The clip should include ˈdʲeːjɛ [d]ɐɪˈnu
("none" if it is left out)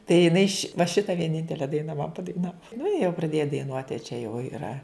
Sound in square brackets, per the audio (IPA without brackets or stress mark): d